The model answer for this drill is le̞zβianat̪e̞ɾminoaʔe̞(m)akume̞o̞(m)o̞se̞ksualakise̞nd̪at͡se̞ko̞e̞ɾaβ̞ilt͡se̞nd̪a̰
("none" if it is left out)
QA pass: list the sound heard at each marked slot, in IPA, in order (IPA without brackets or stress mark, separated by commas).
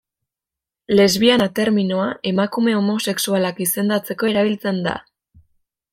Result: m, m